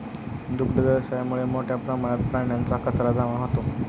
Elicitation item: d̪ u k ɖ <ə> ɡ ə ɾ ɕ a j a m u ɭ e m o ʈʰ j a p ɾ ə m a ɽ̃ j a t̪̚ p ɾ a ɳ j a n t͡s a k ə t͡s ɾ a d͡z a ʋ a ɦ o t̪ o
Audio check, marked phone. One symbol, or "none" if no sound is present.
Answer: ə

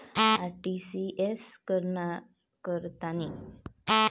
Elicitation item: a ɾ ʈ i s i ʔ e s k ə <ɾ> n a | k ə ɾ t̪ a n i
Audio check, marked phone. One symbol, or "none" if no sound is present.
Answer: ɾ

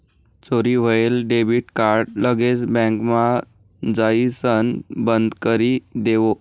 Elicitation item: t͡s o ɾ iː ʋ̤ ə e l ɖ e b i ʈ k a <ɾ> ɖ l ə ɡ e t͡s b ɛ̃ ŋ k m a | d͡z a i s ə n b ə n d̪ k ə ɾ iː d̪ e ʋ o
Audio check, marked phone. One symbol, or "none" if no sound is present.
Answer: ɾ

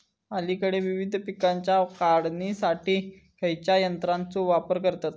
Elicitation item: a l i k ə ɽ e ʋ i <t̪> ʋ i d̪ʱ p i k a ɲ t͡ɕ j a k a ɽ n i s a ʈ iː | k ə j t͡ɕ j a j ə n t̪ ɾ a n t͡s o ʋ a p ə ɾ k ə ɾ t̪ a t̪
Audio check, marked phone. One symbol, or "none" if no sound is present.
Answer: none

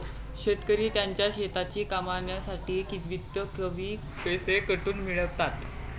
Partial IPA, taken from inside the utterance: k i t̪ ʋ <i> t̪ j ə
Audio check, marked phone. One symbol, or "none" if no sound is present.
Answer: i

